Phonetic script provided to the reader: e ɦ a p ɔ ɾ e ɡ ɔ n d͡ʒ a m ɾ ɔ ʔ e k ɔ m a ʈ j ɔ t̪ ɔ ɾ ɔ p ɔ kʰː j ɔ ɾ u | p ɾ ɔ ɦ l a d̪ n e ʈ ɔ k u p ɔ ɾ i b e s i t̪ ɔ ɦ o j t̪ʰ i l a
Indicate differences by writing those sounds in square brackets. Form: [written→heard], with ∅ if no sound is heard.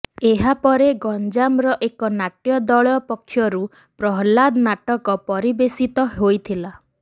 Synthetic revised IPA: e ɦ a p ɔ ɾ e ɡ ɔ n d͡ʒ a m ɾ ɔ ʔ e k ɔ [m→n] a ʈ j ɔ [t̪→d̪] ɔ [ɾ→ɭ] ɔ p ɔ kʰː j ɔ ɾ u | p ɾ ɔ ɦ l a d̪ n [e→a] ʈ ɔ k [u→ɔ] p ɔ ɾ i b e s i t̪ ɔ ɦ o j t̪ʰ i l a